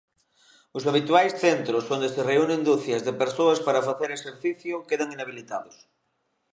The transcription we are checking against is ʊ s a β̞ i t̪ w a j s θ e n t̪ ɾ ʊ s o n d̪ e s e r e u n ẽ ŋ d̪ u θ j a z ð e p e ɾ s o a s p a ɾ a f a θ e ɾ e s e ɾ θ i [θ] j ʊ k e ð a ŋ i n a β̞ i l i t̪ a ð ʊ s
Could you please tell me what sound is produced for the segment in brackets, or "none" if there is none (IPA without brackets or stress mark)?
θ